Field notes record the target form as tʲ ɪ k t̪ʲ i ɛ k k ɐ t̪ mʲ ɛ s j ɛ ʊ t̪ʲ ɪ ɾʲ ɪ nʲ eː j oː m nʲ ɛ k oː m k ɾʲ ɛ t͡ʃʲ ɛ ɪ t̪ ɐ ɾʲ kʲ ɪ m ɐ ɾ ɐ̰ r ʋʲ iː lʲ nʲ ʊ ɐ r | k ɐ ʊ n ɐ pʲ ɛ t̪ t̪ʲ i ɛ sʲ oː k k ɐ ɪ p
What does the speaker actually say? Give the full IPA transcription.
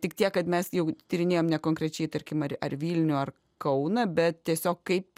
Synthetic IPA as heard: tʲ ɪ k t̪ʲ i ɛ k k ɐ t̪ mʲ ɛ s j ɛ ʊ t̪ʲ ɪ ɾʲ ɪ nʲ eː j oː m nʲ ɛ k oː ŋ k ɾʲ ɛ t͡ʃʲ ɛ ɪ t̪ ɐ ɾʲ kʲ ɪ m ɐ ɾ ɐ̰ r ʋʲ iː lʲ nʲ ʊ ɐ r | k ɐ ʊ n ɐ bʲ ɛ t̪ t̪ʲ i ɛ sʲ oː k k ɐ ɪ p